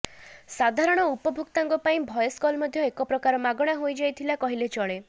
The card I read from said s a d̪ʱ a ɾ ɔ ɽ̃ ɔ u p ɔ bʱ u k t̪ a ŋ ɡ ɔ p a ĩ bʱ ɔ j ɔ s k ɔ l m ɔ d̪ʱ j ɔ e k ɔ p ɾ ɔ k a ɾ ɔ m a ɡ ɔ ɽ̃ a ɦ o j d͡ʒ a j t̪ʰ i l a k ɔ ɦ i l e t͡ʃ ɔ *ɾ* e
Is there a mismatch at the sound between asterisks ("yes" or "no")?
yes